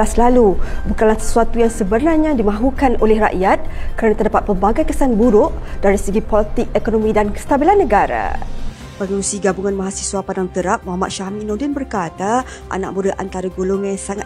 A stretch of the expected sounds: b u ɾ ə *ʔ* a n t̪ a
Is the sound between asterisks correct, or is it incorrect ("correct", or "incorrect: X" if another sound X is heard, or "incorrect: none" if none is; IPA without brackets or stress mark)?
correct